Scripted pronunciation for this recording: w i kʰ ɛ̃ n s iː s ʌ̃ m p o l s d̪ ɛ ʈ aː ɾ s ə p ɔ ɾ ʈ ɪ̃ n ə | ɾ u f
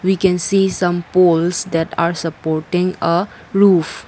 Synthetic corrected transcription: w i k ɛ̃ n s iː s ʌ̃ m p o l s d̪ ɛ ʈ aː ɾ s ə p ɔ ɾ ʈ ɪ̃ ŋ ə | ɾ u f